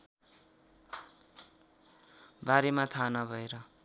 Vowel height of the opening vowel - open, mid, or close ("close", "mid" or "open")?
open